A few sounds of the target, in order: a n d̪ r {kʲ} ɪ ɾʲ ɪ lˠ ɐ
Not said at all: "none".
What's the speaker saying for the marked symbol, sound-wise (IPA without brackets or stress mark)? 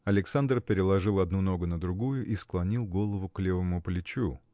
pʲ